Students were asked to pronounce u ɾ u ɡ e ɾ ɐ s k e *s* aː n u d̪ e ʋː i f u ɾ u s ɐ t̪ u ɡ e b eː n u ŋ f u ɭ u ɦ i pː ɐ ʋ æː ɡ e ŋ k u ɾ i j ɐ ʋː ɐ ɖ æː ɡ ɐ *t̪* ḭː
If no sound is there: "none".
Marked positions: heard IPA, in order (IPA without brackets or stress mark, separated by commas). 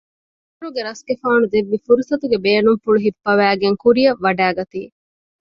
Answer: f, t̪